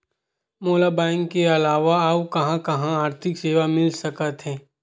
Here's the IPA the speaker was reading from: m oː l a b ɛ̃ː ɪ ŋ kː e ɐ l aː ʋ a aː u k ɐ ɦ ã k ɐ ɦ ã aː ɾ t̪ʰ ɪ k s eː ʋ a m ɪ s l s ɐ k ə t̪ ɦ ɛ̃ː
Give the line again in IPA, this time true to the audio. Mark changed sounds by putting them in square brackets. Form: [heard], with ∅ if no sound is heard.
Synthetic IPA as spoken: m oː l a b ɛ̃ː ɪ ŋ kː e ɐ l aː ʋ a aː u k ɐ ɦ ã k ɐ ɦ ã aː ɾ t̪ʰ ɪ k s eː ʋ a m ɪ [∅] l s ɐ k ə t̪ ɦ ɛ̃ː